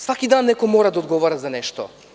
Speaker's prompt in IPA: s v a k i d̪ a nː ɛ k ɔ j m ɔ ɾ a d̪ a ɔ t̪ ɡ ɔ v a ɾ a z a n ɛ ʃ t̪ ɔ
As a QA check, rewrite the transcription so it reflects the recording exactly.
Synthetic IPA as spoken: s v a k i d̪ a nː ɛ k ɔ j m ɔ ɾ a d̪ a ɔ d̪ ɡ ɔ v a ɾ a z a n ɛ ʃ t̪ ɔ